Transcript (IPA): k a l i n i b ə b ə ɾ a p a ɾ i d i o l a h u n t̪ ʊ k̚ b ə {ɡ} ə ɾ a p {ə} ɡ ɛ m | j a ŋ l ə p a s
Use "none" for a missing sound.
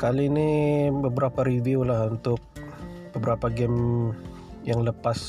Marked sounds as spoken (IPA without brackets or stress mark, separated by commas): b, a